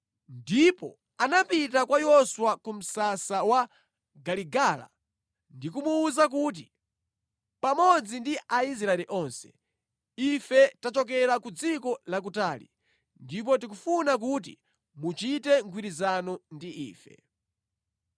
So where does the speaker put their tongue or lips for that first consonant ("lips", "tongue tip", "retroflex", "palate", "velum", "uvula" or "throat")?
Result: tongue tip